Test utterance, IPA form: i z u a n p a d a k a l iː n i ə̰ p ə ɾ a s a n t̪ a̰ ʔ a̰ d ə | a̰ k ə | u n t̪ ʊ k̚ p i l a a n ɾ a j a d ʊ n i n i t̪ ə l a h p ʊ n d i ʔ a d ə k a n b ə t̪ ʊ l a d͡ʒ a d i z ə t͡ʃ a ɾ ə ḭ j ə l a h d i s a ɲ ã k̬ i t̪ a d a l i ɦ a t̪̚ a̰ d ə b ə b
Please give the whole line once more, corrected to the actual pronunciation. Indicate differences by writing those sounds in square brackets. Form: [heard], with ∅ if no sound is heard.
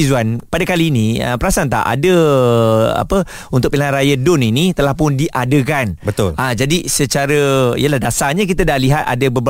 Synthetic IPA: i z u a n p a d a k a l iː n i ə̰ p ə ɾ a s a n t̪ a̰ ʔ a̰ d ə | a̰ [p] ə | u n t̪ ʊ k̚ p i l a a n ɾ a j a d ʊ n i n i t̪ ə l a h p ʊ n d i ʔ a d ə k a n b ə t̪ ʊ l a d͡ʒ a d i [s] ə t͡ʃ a ɾ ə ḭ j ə l a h d [a] s a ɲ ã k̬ i t̪ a d a l i ɦ a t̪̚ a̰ d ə b ə b